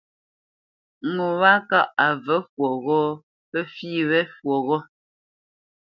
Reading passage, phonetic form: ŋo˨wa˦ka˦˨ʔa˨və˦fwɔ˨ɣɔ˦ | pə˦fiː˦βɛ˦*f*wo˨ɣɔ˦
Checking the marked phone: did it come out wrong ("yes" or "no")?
no